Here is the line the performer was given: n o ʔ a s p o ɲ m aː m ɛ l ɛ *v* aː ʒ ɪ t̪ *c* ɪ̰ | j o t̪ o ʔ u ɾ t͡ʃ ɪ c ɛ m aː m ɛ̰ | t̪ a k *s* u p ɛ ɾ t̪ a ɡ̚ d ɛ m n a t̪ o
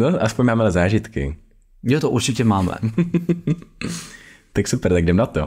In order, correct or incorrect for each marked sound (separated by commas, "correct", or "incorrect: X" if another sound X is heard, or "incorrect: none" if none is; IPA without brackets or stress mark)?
incorrect: z, incorrect: k, correct